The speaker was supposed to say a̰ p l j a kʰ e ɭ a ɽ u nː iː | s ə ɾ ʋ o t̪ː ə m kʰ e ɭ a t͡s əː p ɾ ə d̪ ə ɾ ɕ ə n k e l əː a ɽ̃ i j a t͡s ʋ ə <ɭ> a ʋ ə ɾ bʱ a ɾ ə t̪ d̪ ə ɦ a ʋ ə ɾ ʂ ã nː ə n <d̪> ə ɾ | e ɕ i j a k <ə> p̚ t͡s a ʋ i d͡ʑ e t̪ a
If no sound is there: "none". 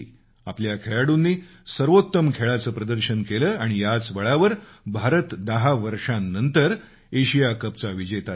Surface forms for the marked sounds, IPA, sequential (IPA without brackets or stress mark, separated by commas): ɭ, t̪, ə